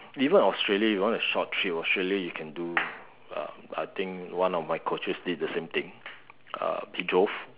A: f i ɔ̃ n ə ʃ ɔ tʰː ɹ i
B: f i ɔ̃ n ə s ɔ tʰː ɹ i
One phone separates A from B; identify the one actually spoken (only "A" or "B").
A